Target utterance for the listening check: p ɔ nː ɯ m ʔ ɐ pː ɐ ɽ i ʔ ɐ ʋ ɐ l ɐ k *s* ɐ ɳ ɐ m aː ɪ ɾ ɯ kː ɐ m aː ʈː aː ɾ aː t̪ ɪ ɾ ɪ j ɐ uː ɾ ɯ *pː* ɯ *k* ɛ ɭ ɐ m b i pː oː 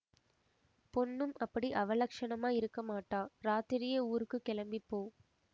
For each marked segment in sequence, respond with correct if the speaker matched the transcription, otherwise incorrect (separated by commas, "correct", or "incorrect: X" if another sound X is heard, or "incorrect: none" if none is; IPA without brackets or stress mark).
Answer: incorrect: ʂ, incorrect: kː, correct